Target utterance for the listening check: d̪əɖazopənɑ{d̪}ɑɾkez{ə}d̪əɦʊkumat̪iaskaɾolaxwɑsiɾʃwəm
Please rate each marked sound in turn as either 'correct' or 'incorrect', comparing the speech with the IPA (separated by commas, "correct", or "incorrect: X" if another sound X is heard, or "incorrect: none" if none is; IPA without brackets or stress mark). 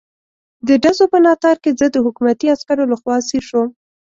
incorrect: t̪, correct